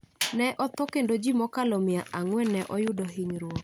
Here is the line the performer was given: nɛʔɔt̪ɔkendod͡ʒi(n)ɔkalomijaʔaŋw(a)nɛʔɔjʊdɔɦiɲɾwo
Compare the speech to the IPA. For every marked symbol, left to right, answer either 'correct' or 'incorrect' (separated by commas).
incorrect, incorrect